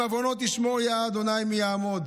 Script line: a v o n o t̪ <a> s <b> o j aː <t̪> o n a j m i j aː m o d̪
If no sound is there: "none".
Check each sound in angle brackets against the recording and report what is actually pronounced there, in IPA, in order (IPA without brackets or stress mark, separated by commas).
i, m, d̪